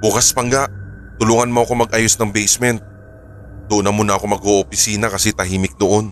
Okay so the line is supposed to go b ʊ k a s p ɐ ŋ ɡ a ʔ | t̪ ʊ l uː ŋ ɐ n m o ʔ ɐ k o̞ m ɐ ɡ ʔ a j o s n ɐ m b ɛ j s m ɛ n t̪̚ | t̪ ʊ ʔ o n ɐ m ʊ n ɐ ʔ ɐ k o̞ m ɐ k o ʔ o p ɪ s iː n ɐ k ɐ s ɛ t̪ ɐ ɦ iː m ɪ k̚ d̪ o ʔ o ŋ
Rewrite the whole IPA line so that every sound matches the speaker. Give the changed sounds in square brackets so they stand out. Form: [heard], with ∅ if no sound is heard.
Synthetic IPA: b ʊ k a s p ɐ ŋ ɡ a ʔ | t̪ ʊ l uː ŋ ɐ n m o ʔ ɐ k o̞ m ɐ ɡ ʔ a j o s n ɐ [ŋ] b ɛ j s m ɛ n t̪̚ | [d̪] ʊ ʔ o n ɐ m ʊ n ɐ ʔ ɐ k o̞ m ɐ [ɡ] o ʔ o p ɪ s iː n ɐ k ɐ s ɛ t̪ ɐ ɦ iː m ɪ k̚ d̪ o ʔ o [n]